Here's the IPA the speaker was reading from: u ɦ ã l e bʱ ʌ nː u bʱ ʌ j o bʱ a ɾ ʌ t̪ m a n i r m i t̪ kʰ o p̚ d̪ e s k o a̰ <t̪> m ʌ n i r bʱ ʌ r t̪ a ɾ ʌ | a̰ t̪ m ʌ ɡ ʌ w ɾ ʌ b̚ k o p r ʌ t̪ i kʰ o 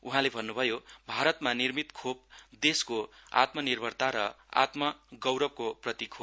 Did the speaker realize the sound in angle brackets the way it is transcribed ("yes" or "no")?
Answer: yes